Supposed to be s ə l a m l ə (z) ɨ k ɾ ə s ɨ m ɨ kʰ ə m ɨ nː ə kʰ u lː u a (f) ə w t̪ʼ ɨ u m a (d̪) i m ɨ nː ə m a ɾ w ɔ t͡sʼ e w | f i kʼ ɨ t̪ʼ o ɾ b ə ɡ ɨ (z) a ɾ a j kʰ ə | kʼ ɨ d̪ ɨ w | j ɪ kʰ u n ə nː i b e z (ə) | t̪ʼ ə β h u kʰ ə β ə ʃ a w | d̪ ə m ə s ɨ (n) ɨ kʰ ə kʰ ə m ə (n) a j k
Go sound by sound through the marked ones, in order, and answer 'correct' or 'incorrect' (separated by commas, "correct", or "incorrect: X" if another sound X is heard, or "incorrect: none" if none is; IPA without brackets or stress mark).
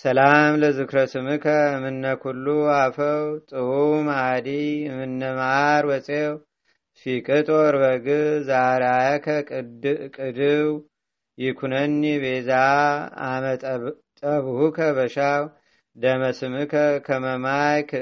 correct, correct, correct, correct, incorrect: a, incorrect: m, incorrect: m